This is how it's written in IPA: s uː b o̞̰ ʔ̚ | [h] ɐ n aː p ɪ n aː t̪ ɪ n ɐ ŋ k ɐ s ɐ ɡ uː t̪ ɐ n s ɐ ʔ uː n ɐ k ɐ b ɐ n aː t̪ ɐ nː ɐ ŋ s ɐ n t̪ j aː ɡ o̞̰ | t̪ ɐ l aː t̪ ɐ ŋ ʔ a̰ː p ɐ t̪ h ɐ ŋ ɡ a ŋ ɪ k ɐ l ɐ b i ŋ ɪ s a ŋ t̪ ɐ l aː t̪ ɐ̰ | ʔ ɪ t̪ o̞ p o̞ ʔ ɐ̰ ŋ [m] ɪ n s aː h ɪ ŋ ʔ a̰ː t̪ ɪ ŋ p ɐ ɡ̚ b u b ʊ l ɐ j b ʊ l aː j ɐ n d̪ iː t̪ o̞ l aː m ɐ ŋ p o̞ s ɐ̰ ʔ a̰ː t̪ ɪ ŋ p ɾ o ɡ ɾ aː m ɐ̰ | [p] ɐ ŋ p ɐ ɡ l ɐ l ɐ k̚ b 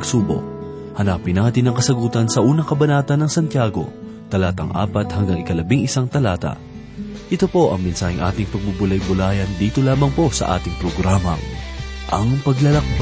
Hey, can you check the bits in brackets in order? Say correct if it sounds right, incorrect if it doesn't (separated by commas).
correct, correct, incorrect